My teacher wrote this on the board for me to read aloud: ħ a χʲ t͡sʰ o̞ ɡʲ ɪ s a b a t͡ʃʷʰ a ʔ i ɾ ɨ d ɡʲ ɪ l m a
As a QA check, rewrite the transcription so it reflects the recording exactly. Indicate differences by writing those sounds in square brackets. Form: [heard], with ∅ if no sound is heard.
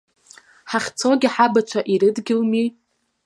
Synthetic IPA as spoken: ħ a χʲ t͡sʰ o̞ ɡʲ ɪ [ħ] a b a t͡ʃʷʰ a ʔ i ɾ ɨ d ɡʲ ɪ l m [i]